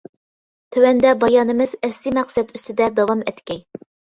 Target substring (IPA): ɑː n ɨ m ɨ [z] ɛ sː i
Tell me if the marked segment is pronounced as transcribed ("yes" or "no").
yes